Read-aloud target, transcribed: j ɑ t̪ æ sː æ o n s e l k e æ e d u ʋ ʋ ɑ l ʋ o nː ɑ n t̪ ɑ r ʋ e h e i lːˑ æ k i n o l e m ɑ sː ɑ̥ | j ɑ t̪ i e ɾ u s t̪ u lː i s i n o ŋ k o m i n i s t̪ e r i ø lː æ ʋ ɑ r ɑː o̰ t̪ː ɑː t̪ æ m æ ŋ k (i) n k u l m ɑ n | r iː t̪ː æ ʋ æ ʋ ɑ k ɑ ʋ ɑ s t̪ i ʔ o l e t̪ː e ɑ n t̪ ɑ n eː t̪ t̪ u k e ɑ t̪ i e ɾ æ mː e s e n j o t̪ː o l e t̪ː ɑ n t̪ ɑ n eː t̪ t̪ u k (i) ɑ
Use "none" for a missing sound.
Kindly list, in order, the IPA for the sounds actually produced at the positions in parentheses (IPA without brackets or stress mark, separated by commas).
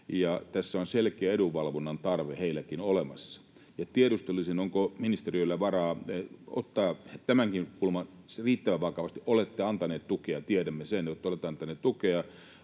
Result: i, e